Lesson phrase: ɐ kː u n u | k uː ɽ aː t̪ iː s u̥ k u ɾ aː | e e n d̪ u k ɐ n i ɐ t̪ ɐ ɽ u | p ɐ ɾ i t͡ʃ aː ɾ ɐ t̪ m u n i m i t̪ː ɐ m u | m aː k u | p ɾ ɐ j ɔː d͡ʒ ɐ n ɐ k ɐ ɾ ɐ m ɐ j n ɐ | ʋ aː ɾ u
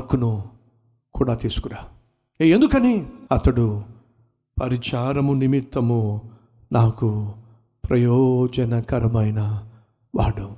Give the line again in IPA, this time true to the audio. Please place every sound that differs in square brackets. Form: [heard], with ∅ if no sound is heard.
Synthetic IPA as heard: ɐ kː u n u | k uː ɽ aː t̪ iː s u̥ k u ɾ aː | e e n d̪ u k ɐ n i ɐ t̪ ɐ ɽ u | p ɐ ɾ i t͡ʃ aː ɾ ɐ [∅] m u n i m i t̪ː ɐ m u | [n] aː k u | p ɾ ɐ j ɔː d͡ʒ ɐ n ɐ k ɐ ɾ ɐ m ɐ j n ɐ | ʋ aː [ɽ] u